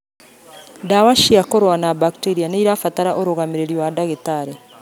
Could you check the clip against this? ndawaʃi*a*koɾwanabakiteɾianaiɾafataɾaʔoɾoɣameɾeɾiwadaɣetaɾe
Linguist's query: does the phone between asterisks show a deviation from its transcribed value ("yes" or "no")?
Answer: no